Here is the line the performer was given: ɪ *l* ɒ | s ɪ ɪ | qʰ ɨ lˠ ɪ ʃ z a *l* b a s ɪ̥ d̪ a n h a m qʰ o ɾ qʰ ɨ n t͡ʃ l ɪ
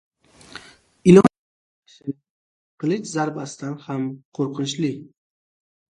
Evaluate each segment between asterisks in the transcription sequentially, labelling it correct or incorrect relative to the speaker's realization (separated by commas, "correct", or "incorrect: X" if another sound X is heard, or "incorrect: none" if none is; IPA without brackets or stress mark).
correct, incorrect: ɾ